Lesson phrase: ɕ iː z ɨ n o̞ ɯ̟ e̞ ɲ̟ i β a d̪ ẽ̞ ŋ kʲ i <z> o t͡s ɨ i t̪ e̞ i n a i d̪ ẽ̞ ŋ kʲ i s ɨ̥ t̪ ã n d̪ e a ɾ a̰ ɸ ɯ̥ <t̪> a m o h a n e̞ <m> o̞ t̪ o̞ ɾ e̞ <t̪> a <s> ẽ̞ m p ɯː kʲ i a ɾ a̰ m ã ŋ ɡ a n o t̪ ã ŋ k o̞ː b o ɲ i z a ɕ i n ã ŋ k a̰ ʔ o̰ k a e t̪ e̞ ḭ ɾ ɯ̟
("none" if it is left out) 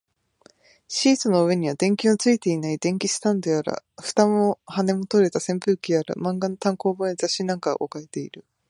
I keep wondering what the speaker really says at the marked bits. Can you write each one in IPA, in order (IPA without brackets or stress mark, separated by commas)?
none, t̪, m, t̪, s